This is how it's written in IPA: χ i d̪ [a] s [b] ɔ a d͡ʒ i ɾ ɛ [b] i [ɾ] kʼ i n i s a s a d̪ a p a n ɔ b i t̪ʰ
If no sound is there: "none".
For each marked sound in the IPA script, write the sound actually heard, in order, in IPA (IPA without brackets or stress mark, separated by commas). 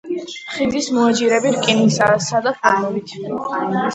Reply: i, m, b, ɾ